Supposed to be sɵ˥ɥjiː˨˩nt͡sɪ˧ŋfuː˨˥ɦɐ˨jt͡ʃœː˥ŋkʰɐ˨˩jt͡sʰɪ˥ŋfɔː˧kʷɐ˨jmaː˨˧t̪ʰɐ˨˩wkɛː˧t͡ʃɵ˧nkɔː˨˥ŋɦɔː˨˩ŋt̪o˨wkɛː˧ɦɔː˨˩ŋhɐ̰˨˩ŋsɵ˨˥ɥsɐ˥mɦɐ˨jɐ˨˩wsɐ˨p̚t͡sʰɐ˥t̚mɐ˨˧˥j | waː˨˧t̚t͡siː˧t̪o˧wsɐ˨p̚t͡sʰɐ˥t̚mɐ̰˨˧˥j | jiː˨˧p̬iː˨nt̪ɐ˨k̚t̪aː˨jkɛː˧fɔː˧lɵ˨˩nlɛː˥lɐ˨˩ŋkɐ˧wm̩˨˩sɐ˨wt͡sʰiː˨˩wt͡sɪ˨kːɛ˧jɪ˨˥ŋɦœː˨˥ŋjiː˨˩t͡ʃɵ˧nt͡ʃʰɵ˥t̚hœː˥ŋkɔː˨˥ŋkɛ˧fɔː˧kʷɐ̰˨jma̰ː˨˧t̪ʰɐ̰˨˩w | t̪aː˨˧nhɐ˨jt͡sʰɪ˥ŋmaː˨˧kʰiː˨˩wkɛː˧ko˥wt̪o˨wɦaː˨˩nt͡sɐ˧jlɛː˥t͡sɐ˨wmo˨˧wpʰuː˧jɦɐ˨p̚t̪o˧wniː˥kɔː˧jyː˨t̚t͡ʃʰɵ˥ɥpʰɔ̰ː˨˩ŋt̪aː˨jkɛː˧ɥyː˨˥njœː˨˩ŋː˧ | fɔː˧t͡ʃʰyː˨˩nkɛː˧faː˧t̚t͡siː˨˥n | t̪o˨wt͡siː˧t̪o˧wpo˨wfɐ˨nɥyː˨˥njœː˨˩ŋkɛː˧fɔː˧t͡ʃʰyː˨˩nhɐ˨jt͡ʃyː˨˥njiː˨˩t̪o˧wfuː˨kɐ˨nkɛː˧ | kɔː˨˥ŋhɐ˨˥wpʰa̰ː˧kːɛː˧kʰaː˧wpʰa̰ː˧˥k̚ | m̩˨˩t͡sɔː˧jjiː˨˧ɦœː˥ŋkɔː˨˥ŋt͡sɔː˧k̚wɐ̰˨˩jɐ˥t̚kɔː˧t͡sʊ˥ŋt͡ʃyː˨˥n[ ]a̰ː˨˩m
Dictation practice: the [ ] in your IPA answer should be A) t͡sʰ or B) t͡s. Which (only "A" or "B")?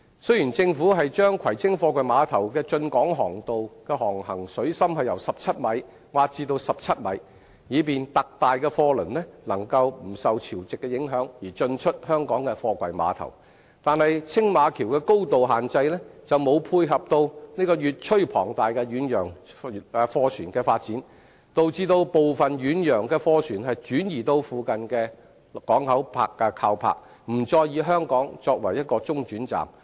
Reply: B